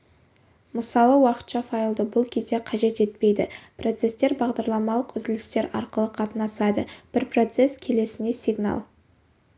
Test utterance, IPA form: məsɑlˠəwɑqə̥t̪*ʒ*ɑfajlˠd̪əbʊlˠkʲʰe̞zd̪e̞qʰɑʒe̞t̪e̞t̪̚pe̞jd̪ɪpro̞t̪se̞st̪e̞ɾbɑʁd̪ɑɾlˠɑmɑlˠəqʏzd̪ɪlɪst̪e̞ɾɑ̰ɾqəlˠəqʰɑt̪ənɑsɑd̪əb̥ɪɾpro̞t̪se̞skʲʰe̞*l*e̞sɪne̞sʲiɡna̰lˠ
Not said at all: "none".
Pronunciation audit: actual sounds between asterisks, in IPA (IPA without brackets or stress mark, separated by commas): ʃ, l